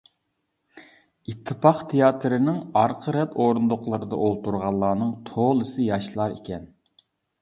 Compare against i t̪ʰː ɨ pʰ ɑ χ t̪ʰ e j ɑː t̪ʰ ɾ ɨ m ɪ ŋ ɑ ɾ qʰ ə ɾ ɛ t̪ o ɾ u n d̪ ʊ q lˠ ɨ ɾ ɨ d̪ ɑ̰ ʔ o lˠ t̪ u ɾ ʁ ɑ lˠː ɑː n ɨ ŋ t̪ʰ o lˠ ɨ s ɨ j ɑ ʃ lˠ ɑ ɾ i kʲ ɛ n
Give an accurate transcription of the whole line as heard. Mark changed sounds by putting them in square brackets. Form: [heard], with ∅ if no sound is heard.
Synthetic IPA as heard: i t̪ʰː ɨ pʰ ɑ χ t̪ʰ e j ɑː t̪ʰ ɾ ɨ [n] ɪ ŋ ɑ ɾ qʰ ə ɾ ɛ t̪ o ɾ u n d̪ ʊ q lˠ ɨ ɾ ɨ d̪ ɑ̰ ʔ o lˠ t̪ u ɾ ʁ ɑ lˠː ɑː n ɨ ŋ t̪ʰ o lˠ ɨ s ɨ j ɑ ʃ lˠ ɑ ɾ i kʲ ɛ n